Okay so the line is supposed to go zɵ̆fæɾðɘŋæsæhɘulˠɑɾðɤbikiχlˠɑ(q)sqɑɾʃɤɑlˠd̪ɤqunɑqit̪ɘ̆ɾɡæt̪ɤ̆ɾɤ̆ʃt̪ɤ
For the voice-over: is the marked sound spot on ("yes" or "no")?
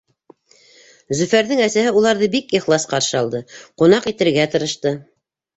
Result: no